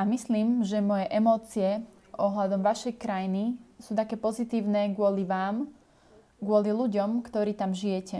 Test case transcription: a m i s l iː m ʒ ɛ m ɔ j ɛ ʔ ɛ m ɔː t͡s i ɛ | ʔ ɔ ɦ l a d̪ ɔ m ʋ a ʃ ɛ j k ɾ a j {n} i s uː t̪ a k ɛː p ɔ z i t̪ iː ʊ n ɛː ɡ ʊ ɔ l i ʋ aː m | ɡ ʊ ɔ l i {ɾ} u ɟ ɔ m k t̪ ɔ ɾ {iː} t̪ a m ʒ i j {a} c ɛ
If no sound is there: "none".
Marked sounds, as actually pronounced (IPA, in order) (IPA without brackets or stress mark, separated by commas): n, l, iː, ɛ